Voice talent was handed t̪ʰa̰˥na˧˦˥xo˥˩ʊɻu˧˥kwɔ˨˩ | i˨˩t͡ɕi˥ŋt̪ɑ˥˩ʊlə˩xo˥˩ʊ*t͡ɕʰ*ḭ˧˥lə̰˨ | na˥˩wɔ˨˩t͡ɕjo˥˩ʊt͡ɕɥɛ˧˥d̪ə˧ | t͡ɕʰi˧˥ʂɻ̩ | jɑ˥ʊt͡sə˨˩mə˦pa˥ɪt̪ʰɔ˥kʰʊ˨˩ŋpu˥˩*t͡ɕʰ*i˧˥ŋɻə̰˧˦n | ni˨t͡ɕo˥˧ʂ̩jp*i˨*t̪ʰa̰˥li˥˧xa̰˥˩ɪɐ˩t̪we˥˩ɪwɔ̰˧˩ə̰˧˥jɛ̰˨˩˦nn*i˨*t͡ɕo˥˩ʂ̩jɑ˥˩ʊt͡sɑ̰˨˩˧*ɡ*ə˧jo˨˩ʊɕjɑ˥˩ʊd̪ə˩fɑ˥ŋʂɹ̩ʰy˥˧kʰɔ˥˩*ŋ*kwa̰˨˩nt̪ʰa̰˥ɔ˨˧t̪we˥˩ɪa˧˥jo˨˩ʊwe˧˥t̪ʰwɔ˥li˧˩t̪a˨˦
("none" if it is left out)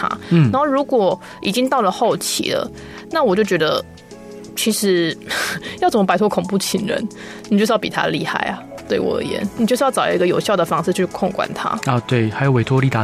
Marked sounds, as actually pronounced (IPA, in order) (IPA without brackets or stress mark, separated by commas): t͡ɕʰ, t͡ɕʰ, i˨, i˨, ɡ, ŋ